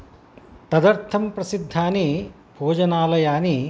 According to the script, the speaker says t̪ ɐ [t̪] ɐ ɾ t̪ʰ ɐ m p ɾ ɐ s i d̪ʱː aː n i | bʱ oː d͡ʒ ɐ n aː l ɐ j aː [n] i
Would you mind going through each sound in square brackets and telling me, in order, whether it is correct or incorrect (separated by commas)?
incorrect, correct